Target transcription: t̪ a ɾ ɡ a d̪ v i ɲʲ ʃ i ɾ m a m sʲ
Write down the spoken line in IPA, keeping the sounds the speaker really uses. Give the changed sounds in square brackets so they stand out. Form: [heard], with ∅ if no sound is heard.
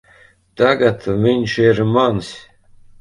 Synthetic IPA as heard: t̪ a [∅] ɡ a [t̪] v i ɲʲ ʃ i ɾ m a [n] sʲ